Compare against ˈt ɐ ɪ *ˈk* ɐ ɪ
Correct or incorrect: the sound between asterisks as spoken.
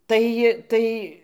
incorrect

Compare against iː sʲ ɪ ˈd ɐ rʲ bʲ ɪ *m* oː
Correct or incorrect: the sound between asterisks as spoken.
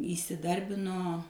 incorrect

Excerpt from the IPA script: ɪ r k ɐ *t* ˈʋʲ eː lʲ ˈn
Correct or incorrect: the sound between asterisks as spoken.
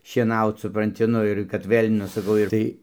correct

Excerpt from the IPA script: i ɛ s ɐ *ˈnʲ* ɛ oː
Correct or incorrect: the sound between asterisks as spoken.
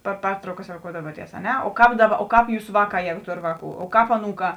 correct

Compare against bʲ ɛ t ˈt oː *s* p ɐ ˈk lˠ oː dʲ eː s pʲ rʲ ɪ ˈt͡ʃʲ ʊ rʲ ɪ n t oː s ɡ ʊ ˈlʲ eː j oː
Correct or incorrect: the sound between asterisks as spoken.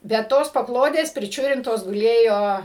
correct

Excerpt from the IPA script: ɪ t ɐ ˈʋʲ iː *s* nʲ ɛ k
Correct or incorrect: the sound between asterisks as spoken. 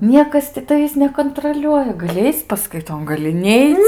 correct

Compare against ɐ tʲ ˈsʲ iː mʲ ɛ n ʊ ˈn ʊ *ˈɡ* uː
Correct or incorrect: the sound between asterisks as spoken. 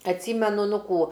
incorrect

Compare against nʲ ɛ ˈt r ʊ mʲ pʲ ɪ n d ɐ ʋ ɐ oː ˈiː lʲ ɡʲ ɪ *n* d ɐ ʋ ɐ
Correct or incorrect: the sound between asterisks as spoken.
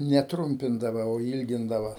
correct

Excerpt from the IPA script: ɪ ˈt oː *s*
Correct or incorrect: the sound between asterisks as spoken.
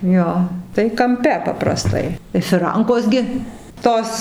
correct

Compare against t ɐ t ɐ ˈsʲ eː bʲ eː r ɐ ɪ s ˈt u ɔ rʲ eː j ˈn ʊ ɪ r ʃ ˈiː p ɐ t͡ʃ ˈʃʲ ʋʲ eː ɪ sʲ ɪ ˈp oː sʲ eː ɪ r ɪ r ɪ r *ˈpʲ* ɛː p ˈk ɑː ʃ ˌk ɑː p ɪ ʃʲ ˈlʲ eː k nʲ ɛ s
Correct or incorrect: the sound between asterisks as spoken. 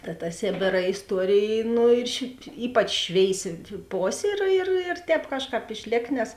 incorrect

